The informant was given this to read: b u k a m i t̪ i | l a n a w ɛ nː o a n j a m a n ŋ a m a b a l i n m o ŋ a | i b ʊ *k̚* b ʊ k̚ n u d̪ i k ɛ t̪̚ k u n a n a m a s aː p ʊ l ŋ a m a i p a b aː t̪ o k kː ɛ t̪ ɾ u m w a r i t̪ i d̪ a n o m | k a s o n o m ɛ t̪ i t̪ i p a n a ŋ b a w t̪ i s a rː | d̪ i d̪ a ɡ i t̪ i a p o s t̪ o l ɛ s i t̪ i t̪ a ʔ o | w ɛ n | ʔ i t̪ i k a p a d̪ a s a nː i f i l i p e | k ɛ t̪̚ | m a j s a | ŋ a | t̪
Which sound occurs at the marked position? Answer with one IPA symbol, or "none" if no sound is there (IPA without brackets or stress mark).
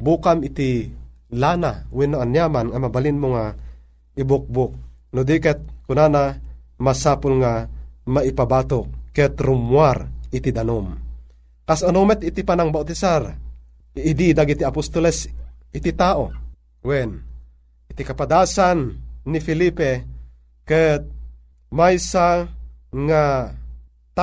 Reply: k̚